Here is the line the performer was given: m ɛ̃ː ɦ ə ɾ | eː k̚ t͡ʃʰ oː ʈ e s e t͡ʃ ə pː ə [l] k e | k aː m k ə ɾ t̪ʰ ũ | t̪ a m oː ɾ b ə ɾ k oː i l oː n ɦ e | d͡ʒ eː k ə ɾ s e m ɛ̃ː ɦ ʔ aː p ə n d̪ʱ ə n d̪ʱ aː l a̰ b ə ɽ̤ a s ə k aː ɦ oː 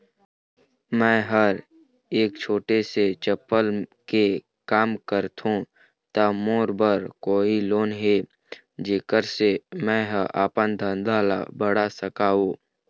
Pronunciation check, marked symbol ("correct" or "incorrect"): correct